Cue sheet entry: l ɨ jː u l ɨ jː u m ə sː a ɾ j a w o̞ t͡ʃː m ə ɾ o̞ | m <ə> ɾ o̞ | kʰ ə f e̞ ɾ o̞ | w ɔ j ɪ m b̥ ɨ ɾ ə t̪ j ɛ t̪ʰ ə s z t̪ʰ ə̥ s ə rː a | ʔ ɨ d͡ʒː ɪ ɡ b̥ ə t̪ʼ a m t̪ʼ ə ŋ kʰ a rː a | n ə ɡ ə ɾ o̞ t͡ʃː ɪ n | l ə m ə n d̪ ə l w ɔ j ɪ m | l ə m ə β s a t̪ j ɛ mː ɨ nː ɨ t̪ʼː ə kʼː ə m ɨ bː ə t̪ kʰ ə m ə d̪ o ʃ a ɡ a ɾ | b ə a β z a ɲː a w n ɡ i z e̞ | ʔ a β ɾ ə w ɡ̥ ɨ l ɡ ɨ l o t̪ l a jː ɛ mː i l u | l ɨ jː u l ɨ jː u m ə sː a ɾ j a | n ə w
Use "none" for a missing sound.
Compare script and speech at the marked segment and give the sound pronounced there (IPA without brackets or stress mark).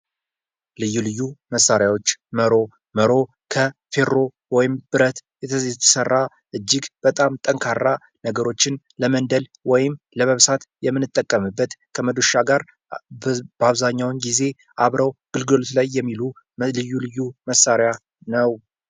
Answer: ə